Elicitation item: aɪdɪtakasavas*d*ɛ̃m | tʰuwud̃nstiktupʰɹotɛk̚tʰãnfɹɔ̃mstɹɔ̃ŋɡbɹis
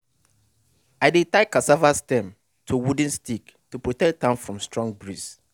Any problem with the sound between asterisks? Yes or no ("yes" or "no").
yes